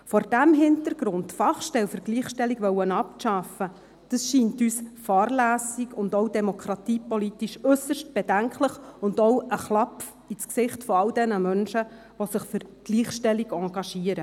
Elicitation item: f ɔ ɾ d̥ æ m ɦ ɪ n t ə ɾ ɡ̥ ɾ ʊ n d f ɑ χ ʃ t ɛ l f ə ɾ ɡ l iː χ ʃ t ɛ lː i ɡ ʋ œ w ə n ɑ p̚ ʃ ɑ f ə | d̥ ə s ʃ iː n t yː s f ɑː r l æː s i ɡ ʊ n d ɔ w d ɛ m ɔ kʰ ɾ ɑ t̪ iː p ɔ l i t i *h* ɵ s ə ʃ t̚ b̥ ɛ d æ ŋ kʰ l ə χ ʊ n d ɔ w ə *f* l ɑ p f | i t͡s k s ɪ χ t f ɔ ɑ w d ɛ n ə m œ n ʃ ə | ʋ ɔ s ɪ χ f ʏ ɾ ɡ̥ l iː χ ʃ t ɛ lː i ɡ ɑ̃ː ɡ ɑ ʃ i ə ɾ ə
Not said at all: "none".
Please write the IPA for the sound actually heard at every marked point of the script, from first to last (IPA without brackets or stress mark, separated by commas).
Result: ʃ, χ